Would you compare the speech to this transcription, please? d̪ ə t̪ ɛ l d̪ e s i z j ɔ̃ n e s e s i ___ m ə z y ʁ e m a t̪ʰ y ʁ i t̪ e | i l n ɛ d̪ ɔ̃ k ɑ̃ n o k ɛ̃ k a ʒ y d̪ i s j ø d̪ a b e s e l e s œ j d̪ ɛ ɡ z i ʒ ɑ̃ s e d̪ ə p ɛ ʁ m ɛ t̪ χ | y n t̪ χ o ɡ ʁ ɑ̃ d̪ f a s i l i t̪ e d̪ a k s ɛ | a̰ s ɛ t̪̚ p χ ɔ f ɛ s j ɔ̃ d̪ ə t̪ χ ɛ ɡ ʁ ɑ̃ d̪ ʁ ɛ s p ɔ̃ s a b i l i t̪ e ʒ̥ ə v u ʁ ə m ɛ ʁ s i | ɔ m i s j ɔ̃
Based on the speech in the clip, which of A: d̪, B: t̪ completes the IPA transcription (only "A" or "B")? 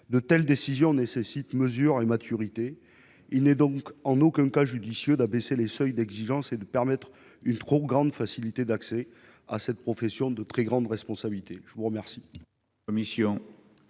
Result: B